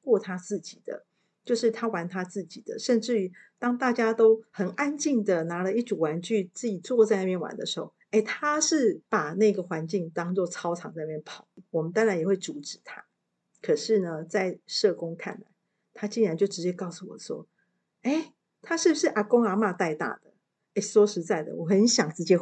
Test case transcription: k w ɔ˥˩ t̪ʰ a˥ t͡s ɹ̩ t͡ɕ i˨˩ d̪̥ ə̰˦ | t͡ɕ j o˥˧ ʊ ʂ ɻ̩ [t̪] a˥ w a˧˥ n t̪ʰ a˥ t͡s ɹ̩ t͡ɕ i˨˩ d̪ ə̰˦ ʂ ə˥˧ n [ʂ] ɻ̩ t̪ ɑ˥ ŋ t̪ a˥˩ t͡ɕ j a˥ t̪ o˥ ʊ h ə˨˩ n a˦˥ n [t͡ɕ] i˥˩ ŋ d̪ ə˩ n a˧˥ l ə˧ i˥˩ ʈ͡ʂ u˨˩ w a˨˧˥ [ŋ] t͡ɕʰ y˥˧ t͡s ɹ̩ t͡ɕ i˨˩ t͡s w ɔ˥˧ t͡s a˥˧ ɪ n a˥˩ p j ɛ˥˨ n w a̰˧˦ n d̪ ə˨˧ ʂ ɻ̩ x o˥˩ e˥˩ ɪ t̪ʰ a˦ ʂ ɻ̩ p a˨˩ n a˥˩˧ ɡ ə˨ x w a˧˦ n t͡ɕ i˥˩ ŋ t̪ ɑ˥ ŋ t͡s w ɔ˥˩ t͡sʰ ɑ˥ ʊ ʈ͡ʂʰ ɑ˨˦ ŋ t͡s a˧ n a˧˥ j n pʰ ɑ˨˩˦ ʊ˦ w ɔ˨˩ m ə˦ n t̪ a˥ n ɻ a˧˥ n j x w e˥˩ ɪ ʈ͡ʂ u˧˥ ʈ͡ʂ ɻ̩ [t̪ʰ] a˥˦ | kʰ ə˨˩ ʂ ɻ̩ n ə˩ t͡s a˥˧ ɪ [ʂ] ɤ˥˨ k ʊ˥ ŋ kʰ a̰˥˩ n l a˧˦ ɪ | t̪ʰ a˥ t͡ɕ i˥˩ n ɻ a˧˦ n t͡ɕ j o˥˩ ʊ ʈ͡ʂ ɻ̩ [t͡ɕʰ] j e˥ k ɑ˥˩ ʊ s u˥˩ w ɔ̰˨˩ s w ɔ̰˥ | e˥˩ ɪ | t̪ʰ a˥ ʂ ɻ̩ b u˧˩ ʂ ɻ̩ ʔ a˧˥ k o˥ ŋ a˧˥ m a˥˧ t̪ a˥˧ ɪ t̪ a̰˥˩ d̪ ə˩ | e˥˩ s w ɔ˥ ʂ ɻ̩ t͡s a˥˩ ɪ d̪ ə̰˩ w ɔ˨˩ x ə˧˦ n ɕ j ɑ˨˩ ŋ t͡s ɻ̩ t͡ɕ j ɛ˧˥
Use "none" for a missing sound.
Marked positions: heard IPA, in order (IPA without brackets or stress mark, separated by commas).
t̪ʰ, ʈ͡ʂ, t͡ɕ, n, t̪ʰ, ʂ, t͡ɕ